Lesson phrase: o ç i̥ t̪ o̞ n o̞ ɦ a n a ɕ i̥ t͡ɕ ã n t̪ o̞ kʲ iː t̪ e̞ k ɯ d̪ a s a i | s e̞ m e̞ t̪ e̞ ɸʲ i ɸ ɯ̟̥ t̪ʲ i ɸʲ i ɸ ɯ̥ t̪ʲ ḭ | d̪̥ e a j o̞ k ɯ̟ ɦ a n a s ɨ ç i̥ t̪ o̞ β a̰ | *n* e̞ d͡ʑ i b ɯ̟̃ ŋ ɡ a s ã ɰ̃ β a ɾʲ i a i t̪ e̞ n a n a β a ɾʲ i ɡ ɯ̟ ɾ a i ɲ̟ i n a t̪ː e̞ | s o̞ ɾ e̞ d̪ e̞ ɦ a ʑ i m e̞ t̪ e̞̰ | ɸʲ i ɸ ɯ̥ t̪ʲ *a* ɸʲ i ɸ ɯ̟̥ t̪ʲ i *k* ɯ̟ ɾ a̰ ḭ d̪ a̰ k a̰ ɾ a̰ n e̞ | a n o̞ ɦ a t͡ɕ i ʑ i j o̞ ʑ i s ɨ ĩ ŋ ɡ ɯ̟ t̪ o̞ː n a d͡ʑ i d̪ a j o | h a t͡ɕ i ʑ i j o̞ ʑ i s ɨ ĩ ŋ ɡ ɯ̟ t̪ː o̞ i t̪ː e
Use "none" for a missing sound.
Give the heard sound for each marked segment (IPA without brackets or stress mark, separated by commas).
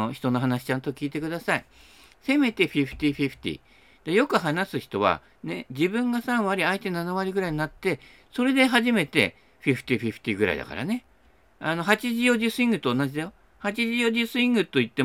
n, i, ɡ